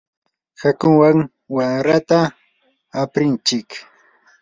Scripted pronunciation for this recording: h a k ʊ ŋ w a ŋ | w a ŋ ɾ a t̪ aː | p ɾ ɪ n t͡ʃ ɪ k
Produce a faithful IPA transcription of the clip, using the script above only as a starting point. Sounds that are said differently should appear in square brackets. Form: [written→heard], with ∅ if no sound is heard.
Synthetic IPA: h a k ʊ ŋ w a ŋ | w a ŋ ɾ a t̪ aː | p ɾ ɪ n t͡ʃ ɪ k